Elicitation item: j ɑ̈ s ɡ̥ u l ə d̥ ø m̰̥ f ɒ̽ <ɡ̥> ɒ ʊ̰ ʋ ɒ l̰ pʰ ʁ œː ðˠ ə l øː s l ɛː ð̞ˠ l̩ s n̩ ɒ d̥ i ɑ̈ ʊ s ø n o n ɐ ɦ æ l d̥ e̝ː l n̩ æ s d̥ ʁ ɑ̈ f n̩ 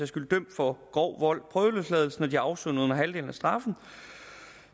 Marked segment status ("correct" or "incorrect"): correct